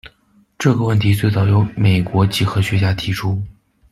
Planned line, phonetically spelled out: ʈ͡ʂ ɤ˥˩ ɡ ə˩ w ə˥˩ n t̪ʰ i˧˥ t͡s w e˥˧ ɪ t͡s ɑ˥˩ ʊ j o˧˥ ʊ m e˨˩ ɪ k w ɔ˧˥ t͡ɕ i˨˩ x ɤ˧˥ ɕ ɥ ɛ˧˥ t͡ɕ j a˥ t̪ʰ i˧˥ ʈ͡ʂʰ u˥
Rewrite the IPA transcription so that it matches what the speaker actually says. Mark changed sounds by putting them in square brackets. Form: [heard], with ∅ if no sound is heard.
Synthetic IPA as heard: ʈ͡ʂ ɤ˥˩ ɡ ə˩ w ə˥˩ n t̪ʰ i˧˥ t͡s w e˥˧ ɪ t͡s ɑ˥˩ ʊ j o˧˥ ʊ m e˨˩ ɪ k w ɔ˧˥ t͡ɕ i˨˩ x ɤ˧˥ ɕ ɥ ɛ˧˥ t͡ɕ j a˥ t̪ʰ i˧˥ ʈ͡ʂʰ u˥